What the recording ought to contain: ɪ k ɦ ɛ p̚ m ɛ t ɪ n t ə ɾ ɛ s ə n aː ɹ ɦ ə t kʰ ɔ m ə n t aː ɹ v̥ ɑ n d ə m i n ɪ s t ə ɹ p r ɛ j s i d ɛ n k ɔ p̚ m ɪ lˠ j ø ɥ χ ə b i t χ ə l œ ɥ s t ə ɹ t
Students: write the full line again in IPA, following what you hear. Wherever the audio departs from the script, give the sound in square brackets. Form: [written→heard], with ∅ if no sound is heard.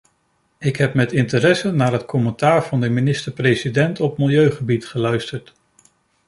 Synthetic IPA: ɪ k ɦ ɛ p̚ m ɛ t ɪ n t ə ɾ ɛ s ə n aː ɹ ɦ ə t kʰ ɔ m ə n t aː ɹ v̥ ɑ n d ə m i n ɪ s t ə ɹ p r [ɛ→e] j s i d ɛ n [k→t] ɔ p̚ m ɪ lˠ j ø ɥ χ ə b i t χ ə l œ ɥ s t ə ɹ t